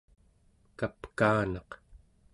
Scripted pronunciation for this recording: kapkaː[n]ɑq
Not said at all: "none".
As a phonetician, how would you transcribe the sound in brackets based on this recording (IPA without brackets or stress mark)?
n